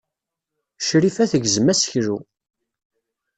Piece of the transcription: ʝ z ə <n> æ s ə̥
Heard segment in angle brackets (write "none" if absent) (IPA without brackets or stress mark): m